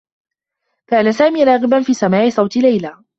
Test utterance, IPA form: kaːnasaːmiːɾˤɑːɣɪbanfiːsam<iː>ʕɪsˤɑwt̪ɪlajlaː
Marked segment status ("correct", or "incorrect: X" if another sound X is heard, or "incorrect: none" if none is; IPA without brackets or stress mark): incorrect: aː